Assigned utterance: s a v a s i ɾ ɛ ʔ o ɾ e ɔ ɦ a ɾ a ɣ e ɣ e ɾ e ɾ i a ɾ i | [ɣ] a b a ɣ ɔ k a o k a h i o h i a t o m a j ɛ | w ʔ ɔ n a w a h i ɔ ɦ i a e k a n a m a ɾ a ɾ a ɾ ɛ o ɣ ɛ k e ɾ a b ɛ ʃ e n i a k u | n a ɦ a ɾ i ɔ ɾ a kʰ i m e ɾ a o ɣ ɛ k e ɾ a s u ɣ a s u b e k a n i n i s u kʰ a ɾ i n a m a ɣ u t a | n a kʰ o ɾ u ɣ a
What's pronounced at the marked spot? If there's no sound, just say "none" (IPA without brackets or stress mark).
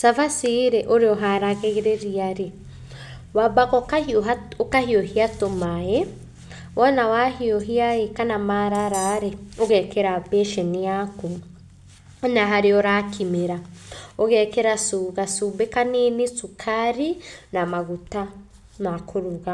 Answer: w